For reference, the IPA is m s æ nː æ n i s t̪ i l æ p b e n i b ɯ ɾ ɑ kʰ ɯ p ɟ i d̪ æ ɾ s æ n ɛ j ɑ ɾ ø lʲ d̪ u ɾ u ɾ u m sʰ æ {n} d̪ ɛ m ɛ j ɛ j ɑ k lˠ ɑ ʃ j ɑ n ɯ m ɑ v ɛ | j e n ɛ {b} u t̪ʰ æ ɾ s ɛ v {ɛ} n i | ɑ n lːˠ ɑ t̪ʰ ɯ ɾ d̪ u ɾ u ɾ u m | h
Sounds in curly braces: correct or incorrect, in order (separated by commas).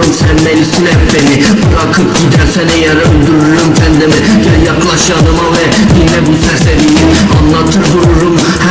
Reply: correct, correct, incorrect